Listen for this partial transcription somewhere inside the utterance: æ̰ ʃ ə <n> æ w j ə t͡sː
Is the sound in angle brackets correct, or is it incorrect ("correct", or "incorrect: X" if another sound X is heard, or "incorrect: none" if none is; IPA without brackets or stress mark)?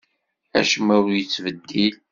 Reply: incorrect: m